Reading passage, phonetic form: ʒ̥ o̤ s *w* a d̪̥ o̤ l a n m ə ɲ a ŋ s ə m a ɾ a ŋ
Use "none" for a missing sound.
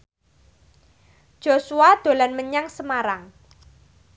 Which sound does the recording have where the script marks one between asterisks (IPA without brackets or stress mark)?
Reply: u